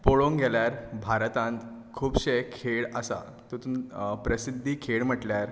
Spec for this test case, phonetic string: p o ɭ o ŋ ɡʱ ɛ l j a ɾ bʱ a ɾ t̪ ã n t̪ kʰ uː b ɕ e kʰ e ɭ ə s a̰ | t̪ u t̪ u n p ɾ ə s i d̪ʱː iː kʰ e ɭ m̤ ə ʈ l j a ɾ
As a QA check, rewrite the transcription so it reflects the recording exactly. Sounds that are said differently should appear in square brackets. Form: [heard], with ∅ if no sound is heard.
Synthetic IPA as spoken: p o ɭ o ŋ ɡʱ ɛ l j a ɾ bʱ a ɾ t̪ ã n t̪ kʰ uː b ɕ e kʰ e ɭ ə s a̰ | t̪ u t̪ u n p ɾ ə s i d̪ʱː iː kʰ e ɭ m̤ ə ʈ l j a ɾ